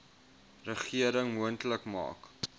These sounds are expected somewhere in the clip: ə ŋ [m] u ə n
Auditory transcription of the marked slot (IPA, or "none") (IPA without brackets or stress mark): m